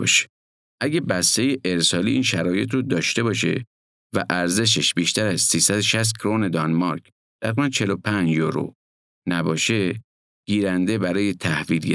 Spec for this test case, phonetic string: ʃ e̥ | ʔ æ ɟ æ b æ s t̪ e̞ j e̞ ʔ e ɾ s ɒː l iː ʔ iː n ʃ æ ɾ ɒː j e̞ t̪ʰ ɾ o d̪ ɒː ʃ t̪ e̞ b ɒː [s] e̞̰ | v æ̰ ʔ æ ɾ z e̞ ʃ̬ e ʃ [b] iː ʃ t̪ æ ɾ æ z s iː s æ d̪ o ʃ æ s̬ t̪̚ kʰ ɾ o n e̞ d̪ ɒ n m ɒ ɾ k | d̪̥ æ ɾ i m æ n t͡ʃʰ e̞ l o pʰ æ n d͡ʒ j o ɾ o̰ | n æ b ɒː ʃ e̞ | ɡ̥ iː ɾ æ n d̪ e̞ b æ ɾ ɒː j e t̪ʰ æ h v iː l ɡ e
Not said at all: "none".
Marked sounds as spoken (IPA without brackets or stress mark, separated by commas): ʃ, b